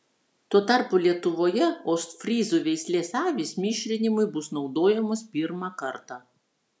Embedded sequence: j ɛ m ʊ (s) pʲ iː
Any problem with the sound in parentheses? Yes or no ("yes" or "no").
no